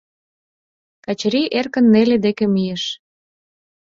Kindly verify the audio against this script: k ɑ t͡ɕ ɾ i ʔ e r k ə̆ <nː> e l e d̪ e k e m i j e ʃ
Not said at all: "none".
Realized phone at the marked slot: nː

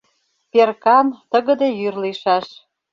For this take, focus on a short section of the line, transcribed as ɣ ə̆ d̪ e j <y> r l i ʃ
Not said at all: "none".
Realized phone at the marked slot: y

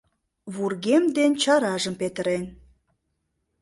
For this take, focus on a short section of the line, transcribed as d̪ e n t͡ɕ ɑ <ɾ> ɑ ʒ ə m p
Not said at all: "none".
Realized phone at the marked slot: ɾ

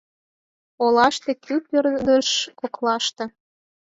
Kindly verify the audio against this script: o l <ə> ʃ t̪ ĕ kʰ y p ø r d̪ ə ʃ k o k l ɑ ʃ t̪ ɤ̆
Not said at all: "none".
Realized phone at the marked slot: ɑ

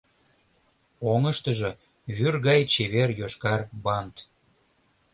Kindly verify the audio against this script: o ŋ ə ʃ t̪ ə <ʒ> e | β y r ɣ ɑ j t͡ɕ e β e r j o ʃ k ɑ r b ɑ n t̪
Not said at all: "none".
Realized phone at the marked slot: ʒ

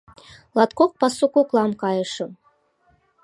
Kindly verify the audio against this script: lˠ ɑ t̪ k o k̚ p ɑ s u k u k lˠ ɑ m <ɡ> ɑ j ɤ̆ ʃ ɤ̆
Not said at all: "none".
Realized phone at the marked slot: k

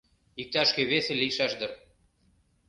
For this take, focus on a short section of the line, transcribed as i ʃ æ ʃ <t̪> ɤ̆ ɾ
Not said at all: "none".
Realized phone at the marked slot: d̪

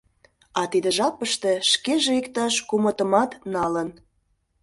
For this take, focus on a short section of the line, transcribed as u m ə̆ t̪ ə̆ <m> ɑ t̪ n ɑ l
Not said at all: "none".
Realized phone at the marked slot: m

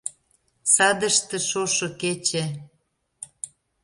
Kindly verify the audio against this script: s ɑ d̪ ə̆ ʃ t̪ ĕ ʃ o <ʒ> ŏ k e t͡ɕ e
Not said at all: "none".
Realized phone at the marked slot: ʃ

